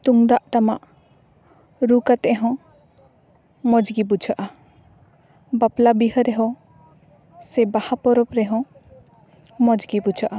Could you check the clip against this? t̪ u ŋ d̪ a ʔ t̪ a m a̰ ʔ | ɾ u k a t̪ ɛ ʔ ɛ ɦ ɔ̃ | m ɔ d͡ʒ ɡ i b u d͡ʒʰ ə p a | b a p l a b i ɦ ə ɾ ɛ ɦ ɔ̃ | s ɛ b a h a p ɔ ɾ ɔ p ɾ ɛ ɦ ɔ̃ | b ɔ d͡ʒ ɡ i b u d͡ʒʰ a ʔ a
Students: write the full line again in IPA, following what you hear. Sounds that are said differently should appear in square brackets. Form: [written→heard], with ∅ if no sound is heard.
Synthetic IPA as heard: t̪ u ŋ d̪ a ʔ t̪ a m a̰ ʔ | ɾ u k a t̪ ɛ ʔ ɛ ɦ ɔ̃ | m ɔ d͡ʒ ɡ i b u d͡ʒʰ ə [p→ʔ] a | b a p l a b i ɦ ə ɾ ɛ ɦ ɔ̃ | s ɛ b a h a p ɔ ɾ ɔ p ɾ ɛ ɦ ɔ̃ | [b→m] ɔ d͡ʒ ɡ i b u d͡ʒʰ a ʔ a